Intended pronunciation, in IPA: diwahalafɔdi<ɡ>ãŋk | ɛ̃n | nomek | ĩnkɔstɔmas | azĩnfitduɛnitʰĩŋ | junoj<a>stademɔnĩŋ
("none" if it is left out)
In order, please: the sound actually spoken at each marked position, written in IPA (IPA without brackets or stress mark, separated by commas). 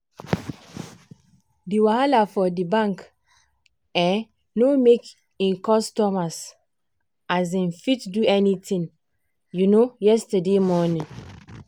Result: b, ɛ